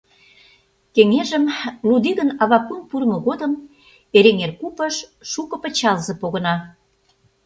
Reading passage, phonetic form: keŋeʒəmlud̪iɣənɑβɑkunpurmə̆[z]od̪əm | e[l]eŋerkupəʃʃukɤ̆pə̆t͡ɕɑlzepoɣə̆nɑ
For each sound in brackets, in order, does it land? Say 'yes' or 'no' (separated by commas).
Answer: no, no